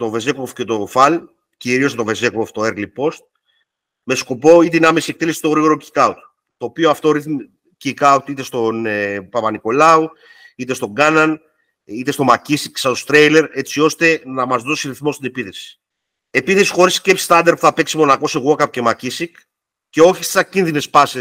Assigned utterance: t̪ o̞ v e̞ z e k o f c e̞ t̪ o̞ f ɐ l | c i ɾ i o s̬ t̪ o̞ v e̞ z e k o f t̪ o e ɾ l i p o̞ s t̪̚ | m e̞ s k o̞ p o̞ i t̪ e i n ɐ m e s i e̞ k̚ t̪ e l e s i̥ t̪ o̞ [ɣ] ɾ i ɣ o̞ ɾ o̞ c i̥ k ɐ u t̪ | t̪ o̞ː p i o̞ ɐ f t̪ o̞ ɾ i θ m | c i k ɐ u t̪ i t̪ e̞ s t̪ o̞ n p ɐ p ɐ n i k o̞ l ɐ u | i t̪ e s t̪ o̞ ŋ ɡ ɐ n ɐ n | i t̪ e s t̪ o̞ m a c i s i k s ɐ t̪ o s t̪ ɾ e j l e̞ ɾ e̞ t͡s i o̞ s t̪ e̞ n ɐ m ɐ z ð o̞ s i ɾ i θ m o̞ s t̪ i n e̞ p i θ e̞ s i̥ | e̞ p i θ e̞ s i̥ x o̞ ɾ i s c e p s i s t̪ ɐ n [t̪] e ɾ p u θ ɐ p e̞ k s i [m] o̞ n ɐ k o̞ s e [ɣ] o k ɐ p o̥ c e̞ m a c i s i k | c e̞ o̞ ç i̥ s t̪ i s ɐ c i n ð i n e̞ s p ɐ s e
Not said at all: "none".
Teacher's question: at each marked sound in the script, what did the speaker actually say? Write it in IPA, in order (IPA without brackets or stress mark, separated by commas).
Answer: ɣ, d̪, m, ɣ